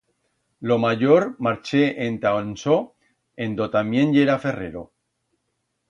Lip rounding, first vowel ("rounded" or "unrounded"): rounded